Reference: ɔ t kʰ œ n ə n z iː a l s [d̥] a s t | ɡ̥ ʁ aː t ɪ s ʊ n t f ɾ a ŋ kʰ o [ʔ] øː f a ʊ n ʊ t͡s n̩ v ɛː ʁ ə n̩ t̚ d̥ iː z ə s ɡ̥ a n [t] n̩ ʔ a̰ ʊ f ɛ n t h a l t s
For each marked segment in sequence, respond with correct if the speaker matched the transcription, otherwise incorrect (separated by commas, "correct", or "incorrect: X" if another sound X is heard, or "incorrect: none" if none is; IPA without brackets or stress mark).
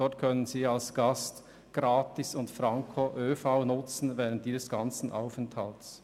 incorrect: ɡ̥, correct, incorrect: t͡s